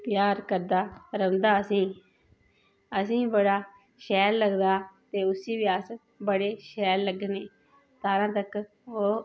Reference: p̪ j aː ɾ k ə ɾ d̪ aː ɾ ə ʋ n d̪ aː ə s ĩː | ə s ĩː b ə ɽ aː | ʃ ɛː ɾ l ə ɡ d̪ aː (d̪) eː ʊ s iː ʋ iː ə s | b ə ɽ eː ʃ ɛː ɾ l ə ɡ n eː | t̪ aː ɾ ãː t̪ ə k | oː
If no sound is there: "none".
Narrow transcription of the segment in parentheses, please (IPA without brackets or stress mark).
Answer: t̪